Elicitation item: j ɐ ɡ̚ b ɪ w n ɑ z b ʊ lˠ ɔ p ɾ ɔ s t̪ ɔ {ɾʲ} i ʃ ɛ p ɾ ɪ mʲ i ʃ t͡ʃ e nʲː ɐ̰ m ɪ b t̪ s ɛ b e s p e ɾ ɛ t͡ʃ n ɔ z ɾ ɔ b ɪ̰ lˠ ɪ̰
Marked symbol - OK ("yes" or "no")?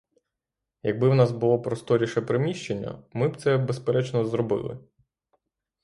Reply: yes